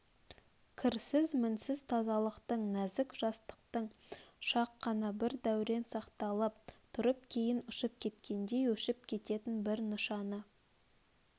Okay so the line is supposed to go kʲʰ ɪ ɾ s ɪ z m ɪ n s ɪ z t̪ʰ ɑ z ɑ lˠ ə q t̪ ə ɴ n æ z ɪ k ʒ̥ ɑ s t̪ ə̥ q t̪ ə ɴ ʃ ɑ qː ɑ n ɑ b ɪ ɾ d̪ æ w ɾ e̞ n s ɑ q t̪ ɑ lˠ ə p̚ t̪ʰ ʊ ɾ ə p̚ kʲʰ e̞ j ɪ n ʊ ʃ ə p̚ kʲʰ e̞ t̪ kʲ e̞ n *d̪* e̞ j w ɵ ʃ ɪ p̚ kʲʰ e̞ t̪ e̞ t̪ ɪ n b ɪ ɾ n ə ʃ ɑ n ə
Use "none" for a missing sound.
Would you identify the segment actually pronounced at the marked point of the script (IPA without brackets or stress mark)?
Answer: d̪